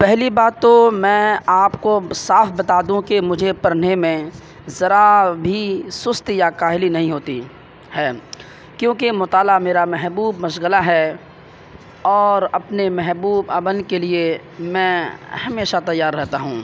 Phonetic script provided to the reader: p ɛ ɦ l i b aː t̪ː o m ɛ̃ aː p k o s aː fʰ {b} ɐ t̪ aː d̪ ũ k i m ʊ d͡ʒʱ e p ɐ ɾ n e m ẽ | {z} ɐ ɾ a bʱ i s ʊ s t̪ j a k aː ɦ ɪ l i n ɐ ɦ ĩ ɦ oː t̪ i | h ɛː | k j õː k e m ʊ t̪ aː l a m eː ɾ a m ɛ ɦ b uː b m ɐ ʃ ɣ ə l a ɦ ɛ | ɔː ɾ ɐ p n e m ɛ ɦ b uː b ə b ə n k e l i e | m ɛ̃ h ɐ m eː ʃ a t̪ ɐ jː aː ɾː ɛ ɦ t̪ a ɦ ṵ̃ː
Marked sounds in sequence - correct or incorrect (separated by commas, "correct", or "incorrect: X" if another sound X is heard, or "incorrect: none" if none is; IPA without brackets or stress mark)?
correct, correct